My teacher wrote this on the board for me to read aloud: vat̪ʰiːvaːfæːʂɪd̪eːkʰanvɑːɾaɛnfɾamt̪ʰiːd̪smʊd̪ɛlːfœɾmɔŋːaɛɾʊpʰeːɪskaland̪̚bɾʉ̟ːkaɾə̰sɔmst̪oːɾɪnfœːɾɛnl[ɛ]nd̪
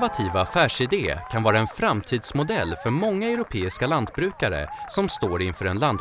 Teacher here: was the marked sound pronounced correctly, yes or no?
no